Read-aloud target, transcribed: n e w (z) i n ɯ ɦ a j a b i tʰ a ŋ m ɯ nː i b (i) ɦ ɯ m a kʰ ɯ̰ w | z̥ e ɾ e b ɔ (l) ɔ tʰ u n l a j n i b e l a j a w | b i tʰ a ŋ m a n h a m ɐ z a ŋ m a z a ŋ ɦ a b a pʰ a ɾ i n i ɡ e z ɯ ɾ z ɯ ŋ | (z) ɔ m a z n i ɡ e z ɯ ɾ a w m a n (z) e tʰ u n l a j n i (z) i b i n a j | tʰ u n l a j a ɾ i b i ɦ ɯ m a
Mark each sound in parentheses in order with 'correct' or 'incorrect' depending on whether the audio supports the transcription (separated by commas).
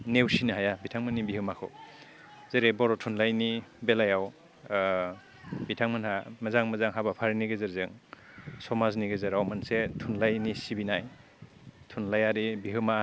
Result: incorrect, correct, incorrect, incorrect, incorrect, incorrect